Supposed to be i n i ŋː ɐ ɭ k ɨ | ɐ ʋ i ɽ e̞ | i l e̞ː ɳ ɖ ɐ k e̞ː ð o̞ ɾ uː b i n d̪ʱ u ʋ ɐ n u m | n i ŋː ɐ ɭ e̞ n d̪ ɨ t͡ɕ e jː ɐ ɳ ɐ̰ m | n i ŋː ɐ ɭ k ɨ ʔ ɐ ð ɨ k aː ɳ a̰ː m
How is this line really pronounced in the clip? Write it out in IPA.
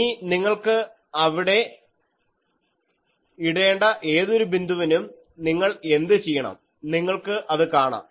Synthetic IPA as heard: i n i ŋː ɐ ɭ k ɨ | ɐ ʋ i ɽ e̞ | i ɽ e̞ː ɳ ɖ ɐ ʔ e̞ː ð o̞ ɾ u b i n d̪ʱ u ʋ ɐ n u m | n i ŋː ɐ ɭ e̞ n d̪ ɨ t͡ɕ e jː ɐ ɳ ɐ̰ m | n i ŋː ɐ ɭ k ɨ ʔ ɐ ð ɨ k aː ɳ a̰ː m